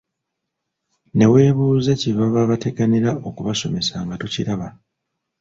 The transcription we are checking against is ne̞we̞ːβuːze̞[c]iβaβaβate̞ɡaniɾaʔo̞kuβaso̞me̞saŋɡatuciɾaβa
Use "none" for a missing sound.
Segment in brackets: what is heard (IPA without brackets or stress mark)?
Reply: c